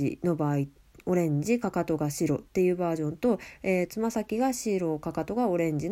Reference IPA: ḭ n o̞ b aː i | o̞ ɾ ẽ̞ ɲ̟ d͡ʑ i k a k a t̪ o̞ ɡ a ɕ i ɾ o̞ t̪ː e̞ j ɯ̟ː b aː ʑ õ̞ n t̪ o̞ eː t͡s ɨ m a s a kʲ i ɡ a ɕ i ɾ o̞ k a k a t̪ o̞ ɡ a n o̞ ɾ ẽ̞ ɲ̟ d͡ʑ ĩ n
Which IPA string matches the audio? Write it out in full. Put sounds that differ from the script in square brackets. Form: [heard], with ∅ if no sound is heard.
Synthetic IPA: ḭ n o̞ b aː i | o̞ ɾ ẽ̞ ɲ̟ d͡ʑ i k a k a t̪ o̞ ɡ a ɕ i ɾ o̞ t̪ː e̞ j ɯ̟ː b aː ʑ õ̞ n t̪ o̞ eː t͡s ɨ m a s a kʲ i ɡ a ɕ i ɾ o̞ k a k a t̪ o̞ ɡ a [∅] o̞ ɾ ẽ̞ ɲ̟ d͡ʑ [i] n